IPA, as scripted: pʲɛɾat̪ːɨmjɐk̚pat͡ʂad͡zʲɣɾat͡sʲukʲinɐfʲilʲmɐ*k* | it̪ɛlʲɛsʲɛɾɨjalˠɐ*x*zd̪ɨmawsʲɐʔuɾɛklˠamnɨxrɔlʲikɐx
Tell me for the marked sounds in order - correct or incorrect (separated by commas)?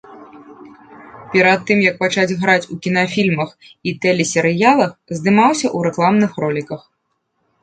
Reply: incorrect, correct